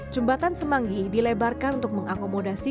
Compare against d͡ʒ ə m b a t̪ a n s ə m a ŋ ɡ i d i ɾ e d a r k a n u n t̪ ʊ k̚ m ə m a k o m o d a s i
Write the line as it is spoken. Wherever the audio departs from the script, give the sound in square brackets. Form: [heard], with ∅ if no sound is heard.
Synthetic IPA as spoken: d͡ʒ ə m b a t̪ a n s ə m a ŋ ɡ i d i [l] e [b] a r k a n u n t̪ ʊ k̚ m ə [ŋ] a k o m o d a s i

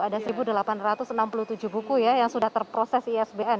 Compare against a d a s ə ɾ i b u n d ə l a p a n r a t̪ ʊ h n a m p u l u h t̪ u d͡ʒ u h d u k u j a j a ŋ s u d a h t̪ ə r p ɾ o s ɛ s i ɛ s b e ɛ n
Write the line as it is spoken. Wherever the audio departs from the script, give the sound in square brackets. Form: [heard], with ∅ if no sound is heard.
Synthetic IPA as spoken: a d a s ə ɾ i b u [∅] d ə l a p a n r a t̪ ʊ [s] n a m p u l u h t̪ u d͡ʒ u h [b] u k u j a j a ŋ s u d a h t̪ ə r p ɾ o s ɛ s i ɛ s b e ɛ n

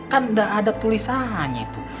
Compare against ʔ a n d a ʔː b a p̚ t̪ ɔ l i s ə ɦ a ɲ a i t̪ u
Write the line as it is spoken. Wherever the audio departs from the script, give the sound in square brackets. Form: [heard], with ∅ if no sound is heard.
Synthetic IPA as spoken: [k] a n d a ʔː [d] a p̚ t̪ [u] l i s [a] ɦ a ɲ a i t̪ u

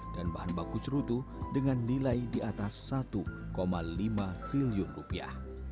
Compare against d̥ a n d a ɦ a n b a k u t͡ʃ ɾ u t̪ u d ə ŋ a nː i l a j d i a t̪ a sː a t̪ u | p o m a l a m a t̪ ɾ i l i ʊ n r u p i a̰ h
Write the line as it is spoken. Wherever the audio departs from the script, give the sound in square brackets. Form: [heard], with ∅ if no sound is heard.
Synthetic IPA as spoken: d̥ a n [b] a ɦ a n b a k u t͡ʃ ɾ u t̪ u d ə ŋ a nː i l a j d i a t̪ a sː a t̪ u | [k] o m a l [i] m a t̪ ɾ i l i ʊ n r u p i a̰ h

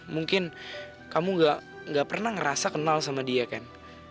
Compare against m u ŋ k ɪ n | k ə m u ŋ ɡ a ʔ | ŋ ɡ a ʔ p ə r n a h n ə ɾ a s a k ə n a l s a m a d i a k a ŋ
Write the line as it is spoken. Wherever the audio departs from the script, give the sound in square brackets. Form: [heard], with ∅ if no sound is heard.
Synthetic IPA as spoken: m u ŋ k ɪ n | k [a] m u ŋ ɡ a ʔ | ŋ ɡ a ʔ p ə r n a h [ŋ] ə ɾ a s a k ə n a l s a m a d i a k a [n]

